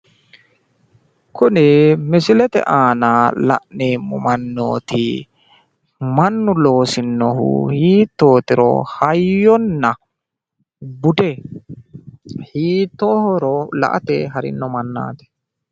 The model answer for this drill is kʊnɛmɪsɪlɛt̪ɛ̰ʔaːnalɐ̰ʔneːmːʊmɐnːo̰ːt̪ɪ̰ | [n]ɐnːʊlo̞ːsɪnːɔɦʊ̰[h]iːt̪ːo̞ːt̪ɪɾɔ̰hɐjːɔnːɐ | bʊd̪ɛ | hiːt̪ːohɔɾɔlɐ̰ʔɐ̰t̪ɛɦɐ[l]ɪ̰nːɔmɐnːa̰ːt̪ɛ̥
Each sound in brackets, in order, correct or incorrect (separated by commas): incorrect, correct, incorrect